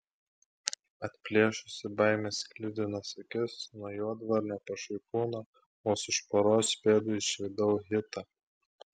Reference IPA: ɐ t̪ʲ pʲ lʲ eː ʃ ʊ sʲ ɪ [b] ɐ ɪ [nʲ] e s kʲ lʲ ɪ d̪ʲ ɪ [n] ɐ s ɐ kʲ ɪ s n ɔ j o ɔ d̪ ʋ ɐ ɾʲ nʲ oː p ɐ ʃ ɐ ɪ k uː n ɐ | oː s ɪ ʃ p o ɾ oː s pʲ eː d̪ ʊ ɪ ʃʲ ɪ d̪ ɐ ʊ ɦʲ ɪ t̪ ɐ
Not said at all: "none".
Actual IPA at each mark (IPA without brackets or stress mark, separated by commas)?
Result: b, mʲ, n